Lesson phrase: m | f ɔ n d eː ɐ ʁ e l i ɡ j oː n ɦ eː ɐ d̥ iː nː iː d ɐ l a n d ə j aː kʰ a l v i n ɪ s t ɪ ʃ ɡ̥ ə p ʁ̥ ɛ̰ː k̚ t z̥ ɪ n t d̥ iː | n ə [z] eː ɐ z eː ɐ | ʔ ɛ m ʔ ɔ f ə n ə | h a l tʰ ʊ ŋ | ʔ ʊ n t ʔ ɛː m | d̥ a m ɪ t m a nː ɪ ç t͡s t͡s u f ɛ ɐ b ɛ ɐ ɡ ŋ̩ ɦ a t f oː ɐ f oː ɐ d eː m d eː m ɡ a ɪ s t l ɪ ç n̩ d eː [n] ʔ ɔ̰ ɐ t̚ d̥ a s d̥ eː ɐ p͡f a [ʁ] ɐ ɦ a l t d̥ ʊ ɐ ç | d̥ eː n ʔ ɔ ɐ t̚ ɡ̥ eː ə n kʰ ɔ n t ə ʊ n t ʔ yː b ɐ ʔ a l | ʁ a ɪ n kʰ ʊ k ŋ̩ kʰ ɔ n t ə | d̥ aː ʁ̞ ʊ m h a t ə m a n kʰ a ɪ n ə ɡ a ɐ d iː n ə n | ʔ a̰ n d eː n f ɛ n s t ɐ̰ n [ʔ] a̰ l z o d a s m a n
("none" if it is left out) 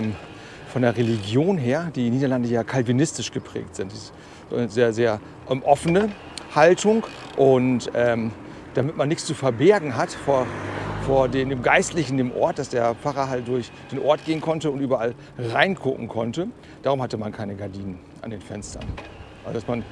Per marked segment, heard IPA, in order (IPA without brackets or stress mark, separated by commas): z, m, ʁ, ʔ